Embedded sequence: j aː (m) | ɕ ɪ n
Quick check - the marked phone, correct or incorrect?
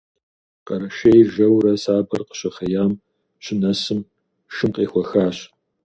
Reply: correct